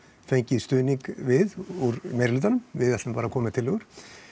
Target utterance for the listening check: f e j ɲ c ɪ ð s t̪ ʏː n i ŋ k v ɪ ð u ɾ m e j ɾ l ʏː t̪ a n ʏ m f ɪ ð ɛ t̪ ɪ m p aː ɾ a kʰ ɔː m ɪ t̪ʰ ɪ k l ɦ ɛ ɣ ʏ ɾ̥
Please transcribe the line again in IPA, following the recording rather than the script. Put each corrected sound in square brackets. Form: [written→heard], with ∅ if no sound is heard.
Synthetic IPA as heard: f e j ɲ c ɪ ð s t̪ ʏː n i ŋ k v ɪ ð u ɾ m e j ɾ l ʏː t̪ a n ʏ m [f→v] ɪ ð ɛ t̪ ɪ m p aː ɾ a kʰ ɔː m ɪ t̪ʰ ɪ [k→∅] l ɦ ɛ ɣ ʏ ɾ̥

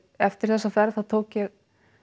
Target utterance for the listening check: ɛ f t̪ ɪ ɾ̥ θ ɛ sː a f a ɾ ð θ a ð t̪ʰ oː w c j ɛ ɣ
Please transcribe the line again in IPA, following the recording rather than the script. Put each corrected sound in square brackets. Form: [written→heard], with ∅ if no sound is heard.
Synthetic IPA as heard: ɛ f t̪ ɪ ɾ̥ θ ɛ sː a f [a→ɛ] ɾ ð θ a ð t̪ʰ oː w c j ɛ ɣ

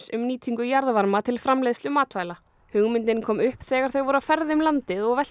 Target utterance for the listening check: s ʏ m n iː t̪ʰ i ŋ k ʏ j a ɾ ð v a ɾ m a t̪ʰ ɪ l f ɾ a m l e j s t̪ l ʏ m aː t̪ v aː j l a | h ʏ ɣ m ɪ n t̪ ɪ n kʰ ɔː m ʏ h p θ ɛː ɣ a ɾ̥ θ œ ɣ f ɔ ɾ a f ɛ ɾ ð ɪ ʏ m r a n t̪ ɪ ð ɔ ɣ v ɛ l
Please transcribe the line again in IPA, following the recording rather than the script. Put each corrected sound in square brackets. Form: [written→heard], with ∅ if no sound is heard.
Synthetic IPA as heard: s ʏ m n iː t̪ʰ i ŋ k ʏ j a ɾ ð v a ɾ m a t̪ʰ ɪ l f ɾ a m l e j s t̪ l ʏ m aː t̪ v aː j l a | h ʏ ɣ m ɪ n t̪ ɪ n kʰ ɔː m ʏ h p θ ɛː ɣ a ɾ̥ θ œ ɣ [f→v] ɔ ɾ a f ɛ ɾ ð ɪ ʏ m [r→l] a n t̪ ɪ ð ɔ ɣ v ɛ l

